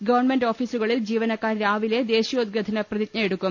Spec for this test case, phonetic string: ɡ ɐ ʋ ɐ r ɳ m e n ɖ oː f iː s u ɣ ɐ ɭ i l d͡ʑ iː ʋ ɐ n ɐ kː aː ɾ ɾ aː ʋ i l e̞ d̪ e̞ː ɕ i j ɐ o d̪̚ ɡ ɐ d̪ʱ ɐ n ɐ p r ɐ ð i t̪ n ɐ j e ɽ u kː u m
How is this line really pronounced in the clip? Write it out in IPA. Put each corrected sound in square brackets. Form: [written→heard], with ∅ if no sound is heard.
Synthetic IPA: ɡ ɐ ʋ ɐ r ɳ m e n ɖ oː f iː s u ɣ ɐ ɭ i l d͡ʑ iː ʋ ɐ n ɐ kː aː ɾ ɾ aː ʋ i l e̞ d̪ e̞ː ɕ i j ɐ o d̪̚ ɡ ɐ d̪ʱ ɐ n ɐ p r ɐ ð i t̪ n ɐ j e ɽ u kː u m